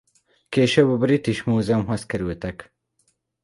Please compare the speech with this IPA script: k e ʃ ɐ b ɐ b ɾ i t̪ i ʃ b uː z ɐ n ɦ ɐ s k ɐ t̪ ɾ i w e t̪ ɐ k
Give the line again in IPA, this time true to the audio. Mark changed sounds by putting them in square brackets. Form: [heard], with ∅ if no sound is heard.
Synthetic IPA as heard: k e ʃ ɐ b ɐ b ɾ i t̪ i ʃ [m] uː z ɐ [m] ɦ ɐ s k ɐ [∅] ɾ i w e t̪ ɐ k